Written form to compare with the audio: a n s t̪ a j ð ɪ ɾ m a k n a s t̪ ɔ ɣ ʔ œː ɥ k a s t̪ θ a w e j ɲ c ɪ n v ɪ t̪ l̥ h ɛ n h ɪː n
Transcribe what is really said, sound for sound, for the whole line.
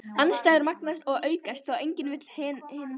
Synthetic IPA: a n s t̪ a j ð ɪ ɾ m a k n a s t̪ ɔ ɣ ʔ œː ɥ k a s t̪ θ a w e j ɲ c ɪ n v ɪ t̪ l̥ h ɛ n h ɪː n